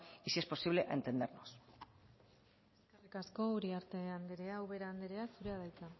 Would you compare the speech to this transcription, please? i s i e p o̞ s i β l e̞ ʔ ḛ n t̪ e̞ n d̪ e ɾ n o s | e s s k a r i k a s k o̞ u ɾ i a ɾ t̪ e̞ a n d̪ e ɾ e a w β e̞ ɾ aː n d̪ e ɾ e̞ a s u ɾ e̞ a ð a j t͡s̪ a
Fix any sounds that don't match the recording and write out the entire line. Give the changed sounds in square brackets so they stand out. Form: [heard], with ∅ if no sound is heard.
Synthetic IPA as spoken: i s i e p o̞ s i β l e̞ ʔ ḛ n t̪ e̞ n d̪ e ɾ n o s | e s s k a r i k a s k o̞ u ɾ i a ɾ t̪ e̞ a n d̪ e ɾ e a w β e̞ ɾ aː n d̪ e ɾ e̞ a s u ɾ e̞ a ð a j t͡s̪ a